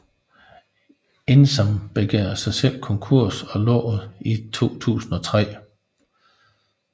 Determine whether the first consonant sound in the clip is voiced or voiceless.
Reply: voiced